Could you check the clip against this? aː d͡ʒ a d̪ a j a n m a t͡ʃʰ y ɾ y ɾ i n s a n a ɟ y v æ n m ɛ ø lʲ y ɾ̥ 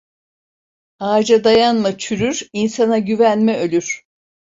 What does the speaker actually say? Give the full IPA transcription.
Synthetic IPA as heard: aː d͡ʒ a d̪ a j a n m a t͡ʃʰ y ɾ y ɾ i n s a n a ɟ y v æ n m ɛ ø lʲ y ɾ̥